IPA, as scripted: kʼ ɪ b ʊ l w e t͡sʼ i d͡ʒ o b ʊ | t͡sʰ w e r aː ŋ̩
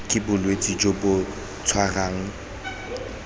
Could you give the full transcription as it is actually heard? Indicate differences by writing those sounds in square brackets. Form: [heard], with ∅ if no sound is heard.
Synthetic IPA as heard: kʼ ɪ b ʊ l w e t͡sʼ i d͡ʒ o b ʊ | t͡sʰ w [a] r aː ŋ̩